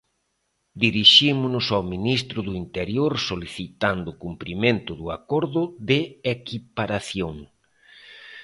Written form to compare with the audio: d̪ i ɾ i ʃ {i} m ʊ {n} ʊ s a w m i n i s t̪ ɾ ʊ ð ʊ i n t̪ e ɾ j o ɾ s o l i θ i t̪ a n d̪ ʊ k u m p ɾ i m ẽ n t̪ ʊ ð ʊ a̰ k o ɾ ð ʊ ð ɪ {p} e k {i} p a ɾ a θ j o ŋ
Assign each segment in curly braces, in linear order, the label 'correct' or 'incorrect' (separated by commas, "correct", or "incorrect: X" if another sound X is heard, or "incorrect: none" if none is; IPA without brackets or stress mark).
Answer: correct, correct, incorrect: none, correct